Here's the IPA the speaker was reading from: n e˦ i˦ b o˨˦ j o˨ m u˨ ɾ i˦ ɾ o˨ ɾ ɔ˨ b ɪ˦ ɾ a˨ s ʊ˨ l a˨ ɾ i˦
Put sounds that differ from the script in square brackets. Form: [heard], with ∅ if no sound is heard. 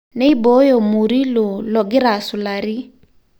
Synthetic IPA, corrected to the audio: n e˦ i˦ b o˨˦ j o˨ m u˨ ɾ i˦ [l] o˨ [l] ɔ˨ [ɡ] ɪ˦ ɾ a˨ s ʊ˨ l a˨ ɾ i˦